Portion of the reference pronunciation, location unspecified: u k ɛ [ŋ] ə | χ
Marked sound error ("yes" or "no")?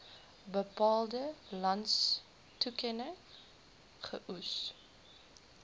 yes